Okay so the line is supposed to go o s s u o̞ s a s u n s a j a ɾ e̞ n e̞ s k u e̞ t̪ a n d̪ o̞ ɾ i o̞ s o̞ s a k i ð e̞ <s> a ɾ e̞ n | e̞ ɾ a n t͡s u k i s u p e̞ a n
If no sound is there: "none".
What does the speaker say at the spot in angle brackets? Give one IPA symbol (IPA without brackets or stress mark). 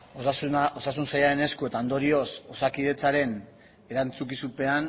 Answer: t͡s